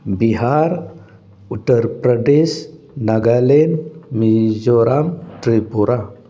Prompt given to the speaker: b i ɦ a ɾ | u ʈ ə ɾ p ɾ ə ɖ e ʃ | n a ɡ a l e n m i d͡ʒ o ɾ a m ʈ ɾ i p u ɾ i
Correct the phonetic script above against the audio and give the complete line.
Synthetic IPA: b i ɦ a ɾ | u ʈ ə ɾ p ɾ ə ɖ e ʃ | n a ɡ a l e n m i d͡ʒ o ɾ a m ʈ ɾ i p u ɾ a